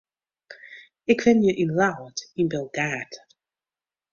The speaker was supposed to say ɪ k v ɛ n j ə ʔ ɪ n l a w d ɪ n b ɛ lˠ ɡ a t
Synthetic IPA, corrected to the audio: ɪ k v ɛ n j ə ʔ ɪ n l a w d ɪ n b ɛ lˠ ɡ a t